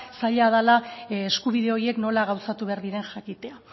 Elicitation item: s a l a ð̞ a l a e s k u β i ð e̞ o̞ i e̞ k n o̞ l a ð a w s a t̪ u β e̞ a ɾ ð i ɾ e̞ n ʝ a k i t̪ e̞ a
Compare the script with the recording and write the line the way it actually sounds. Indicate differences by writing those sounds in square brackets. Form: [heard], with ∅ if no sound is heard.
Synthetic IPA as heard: s a [ʎ] a ð̞ a l a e s k u β i ð e̞ o̞ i e̞ k n o̞ l a [ɣ] a w s a t̪ u β e̞ a ɾ ð i ɾ e̞ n ʝ a k i t̪ e̞ a